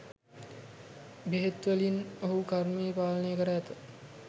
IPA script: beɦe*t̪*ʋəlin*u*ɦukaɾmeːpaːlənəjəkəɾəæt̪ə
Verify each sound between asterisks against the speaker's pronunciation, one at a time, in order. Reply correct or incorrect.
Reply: correct, incorrect

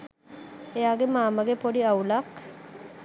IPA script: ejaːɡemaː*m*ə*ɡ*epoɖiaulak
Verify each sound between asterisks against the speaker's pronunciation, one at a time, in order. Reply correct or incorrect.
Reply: correct, correct

